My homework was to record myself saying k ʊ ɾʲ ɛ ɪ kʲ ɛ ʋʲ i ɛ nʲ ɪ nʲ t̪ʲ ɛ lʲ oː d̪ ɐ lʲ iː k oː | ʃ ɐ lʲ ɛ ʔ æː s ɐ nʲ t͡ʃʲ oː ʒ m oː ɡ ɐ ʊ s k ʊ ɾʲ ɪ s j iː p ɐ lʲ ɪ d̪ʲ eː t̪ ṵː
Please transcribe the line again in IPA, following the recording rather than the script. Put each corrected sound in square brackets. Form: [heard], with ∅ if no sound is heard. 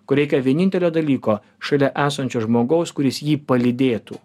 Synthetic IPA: k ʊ ɾʲ ɛ ɪ kʲ ɛ ʋʲ i ɛ nʲ ɪ nʲ t̪ʲ ɛ lʲ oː d̪ ɐ lʲ iː k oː | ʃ ɐ lʲ ɛ ʔ æː s ɐ nʲ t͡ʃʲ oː ʒ m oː ɡ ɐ ʊ s k ʊ ɾʲ ɪ s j iː p ɐ lʲ ɪ d̪ʲ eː t̪ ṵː

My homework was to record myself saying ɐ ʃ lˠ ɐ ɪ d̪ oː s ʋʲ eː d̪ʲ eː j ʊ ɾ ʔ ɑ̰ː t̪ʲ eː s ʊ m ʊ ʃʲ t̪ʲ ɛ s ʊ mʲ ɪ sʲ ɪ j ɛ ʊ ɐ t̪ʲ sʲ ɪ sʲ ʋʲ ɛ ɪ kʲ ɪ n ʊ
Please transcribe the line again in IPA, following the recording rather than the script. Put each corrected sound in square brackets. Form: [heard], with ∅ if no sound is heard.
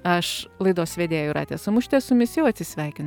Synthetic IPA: ɐ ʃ lˠ ɐ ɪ d̪ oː s ʋʲ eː d̪ʲ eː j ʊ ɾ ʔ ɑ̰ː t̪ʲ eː s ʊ m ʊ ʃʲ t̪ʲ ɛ s ʊ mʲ ɪ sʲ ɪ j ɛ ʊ ɐ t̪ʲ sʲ ɪ sʲ ʋʲ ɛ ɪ kʲ ɪ n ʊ

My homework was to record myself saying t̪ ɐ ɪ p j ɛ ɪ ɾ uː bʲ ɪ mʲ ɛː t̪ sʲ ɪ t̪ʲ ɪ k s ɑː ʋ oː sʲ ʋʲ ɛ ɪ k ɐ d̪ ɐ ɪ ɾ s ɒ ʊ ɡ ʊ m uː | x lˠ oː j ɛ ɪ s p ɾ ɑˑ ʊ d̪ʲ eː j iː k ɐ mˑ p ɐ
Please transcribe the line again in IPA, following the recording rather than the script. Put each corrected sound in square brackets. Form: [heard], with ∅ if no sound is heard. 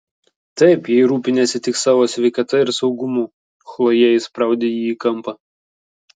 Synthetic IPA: t̪ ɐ ɪ p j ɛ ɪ ɾ uː [pʲ] ɪ [nʲ] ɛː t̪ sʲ ɪ t̪ʲ ɪ k s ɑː ʋ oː sʲ ʋʲ ɛ ɪ k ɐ [t̪] ɐ ɪ ɾ s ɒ ʊ ɡ ʊ m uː | x lˠ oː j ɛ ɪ s p ɾ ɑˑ ʊ d̪ʲ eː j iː k ɐ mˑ p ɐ

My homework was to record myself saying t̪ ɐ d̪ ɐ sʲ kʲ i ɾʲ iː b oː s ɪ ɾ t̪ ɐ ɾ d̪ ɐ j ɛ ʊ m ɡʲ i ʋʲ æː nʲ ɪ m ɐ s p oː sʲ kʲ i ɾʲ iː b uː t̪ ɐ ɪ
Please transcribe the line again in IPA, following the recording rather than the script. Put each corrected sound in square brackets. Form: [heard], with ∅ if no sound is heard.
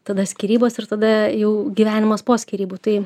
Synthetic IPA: t̪ ɐ d̪ ɐ sʲ kʲ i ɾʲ iː b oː s ɪ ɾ t̪ ɐ [∅] d̪ ɐ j ɛ ʊ [∅] ɡʲ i ʋʲ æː nʲ ɪ m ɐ s p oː sʲ kʲ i ɾʲ iː b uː t̪ ɐ ɪ

